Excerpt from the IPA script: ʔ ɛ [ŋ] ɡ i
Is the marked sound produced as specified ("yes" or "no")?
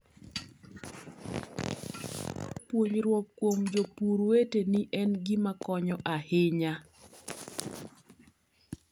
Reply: no